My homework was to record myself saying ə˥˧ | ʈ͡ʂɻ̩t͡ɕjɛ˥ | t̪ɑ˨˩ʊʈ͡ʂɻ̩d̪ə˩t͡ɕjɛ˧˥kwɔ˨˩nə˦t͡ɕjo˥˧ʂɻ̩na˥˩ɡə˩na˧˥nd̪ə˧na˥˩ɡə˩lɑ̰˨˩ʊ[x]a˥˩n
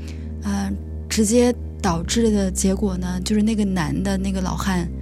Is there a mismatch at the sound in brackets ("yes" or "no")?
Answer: no